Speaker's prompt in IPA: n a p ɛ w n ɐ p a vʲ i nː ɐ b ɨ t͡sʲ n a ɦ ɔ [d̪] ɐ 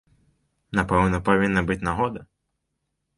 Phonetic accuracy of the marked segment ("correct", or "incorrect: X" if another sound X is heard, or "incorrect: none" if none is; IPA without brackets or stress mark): correct